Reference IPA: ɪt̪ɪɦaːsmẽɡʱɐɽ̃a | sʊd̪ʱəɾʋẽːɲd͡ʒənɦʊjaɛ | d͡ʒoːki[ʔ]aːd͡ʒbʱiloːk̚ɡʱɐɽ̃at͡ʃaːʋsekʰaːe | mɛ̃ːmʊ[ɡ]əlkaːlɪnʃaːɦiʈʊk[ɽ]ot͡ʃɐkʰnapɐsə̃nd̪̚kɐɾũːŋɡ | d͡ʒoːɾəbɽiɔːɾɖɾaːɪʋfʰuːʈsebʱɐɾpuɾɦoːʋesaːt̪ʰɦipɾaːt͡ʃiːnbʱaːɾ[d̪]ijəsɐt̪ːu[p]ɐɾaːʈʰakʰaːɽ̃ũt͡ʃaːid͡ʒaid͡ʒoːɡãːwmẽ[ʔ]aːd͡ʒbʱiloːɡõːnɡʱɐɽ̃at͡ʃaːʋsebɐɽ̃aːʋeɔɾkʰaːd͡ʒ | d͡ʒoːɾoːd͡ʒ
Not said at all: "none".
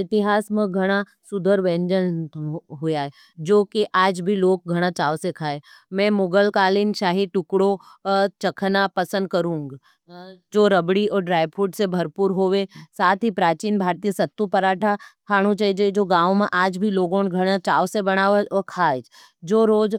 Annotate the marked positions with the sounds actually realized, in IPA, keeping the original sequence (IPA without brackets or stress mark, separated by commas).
ʔ, ɡ, ɽ, t̪, p, ʔ